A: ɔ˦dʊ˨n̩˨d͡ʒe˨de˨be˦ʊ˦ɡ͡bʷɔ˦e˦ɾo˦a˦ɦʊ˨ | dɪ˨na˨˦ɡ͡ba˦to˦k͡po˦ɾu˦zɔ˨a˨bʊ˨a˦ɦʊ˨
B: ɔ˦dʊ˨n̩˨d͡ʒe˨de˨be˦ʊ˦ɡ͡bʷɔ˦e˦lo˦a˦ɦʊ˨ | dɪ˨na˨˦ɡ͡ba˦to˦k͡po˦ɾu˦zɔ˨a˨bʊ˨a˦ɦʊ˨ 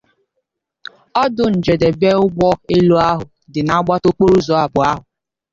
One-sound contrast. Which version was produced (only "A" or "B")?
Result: B